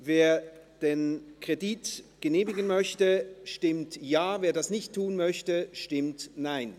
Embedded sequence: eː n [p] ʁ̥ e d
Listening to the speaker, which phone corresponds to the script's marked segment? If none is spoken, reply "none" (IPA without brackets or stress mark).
k